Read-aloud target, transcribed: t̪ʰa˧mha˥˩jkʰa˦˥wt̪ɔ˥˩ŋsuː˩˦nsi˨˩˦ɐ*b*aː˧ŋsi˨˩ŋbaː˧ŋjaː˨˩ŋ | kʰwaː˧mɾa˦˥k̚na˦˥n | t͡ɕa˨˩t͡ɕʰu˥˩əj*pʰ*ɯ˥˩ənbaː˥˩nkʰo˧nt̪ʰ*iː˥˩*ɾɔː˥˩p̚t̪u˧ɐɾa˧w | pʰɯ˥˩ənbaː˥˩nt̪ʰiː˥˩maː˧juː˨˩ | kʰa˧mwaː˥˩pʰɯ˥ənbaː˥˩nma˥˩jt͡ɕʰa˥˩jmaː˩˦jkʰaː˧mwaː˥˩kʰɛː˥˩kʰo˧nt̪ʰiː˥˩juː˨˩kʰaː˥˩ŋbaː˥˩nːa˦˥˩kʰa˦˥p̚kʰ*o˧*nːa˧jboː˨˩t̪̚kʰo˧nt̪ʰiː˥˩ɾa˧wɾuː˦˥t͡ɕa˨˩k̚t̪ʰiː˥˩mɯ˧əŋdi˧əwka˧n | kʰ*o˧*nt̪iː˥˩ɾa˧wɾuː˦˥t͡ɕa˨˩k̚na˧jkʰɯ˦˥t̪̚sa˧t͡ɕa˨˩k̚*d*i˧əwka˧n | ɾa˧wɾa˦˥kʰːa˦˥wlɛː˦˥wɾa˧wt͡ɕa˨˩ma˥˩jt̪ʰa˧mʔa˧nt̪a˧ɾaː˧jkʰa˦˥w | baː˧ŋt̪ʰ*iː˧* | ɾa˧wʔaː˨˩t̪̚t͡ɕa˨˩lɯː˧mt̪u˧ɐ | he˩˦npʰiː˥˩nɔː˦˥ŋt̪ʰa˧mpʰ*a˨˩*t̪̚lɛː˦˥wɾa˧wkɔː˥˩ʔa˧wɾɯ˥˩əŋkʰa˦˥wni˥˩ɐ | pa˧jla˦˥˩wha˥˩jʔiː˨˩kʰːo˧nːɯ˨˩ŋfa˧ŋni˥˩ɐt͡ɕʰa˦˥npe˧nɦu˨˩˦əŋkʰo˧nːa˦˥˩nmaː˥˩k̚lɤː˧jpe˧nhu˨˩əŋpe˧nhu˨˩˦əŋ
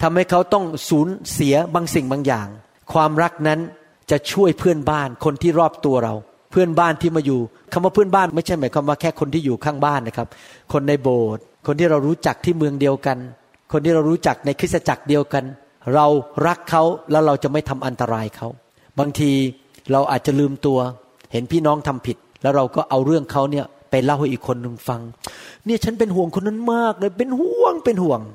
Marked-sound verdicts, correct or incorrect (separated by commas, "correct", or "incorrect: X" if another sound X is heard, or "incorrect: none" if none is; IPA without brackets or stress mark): correct, correct, correct, correct, correct, correct, correct, incorrect: i˨˩